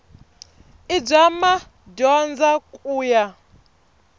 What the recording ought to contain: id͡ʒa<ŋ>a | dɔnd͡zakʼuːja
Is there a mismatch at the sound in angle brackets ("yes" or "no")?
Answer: yes